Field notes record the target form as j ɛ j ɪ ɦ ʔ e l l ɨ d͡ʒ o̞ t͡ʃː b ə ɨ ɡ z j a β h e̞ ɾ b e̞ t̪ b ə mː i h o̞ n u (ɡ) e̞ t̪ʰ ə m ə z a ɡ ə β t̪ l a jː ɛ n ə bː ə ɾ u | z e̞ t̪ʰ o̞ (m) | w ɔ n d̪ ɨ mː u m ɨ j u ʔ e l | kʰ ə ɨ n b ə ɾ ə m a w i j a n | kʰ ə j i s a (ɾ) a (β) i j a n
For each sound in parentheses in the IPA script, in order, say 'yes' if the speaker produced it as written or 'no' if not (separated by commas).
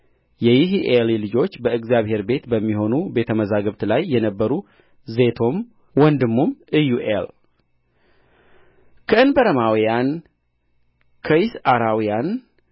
no, yes, yes, no